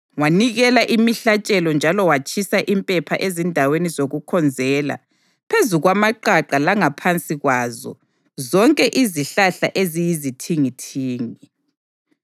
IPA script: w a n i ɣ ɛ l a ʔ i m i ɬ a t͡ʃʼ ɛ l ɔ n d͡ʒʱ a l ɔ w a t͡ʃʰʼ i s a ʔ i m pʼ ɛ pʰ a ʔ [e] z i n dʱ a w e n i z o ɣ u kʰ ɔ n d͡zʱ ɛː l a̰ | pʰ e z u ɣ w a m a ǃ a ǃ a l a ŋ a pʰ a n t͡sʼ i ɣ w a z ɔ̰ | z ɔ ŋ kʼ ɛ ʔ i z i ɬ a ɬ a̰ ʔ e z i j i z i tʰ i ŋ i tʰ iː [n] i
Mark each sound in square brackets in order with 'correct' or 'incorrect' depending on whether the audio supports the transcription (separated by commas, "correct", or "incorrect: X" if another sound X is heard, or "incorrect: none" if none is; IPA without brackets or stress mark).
correct, incorrect: ŋ